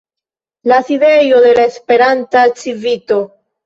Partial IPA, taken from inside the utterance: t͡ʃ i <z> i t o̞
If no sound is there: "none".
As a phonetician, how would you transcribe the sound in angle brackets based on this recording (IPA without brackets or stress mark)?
v